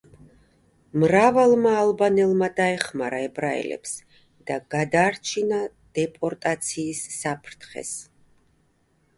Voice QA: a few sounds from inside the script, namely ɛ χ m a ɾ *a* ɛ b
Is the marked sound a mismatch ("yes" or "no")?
no